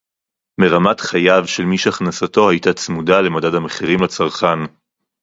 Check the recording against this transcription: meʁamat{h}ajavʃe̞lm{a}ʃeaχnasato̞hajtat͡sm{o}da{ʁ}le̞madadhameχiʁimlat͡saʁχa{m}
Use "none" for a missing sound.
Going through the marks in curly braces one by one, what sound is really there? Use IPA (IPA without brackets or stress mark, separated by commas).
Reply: χ, i, u, none, n